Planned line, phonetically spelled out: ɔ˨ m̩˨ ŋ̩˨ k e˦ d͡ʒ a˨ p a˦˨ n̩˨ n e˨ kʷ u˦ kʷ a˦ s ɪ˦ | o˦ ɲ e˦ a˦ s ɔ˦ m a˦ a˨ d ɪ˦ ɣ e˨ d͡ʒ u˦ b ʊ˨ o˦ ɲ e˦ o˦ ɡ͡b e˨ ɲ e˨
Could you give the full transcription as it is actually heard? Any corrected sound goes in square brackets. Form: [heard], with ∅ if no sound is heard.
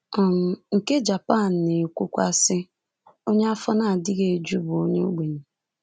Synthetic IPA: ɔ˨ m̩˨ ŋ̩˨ k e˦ d͡ʒ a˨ p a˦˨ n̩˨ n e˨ kʷ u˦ kʷ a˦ s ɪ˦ | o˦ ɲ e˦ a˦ [f] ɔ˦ [n] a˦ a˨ d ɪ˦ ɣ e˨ d͡ʒ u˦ b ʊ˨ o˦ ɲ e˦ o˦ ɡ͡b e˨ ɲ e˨

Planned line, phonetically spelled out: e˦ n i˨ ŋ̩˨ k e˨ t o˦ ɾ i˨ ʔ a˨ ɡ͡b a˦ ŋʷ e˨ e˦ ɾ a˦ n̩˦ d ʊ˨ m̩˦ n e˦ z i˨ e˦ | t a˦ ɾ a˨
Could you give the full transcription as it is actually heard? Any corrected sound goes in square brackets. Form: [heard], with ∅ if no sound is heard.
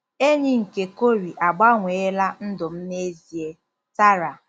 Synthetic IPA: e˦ [ɲ] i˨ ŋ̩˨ k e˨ [k] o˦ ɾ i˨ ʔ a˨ ɡ͡b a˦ ŋʷ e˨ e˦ [l] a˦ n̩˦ d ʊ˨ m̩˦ n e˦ z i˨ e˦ | t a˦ ɾ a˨

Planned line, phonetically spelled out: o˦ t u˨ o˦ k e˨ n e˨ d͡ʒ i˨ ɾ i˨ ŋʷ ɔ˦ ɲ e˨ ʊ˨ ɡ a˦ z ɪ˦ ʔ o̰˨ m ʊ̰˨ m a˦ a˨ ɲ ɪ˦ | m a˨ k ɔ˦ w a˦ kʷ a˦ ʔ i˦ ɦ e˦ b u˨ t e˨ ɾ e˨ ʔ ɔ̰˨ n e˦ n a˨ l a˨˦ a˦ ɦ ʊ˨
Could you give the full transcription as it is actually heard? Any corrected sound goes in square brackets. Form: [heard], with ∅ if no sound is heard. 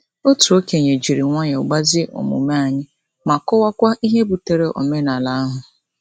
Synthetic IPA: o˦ t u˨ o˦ k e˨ [ɲ] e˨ d͡ʒ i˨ ɾ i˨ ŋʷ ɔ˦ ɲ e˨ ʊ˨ [ɡ͡b] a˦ z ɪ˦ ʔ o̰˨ m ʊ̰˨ m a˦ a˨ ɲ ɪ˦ | m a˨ k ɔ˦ w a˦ kʷ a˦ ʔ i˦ ɦ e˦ b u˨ t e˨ ɾ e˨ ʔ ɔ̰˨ [m] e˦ n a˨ l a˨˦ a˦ ɦ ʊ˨

